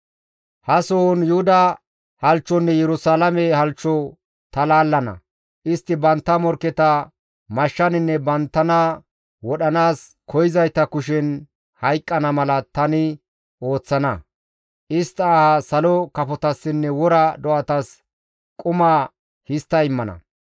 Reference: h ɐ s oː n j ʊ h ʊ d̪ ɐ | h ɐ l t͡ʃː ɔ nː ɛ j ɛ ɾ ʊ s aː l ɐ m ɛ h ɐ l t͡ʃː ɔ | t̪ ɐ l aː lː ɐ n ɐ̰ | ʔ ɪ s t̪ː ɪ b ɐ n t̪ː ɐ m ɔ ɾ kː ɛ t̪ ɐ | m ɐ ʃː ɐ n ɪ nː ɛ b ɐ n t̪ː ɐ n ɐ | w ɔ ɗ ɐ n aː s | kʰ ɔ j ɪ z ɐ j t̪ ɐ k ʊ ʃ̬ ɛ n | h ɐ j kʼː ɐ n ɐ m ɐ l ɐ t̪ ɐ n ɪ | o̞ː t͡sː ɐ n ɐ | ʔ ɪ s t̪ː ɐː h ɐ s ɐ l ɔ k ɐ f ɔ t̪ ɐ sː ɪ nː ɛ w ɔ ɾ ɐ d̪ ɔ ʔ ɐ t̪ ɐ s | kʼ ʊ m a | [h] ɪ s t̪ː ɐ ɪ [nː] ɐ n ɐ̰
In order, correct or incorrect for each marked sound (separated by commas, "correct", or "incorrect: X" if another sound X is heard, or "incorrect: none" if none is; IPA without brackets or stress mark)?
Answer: correct, incorrect: mː